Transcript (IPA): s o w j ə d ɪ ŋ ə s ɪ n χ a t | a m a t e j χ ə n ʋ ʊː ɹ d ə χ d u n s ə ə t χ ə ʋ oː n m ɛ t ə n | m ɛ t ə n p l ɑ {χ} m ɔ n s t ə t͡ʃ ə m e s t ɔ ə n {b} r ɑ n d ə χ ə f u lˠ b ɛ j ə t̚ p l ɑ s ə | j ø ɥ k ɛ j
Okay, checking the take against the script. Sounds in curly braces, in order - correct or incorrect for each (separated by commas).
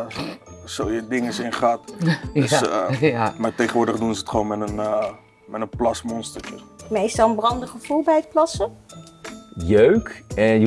incorrect, correct